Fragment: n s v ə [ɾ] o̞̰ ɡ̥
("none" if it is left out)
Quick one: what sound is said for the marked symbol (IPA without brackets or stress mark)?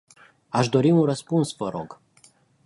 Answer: ɾ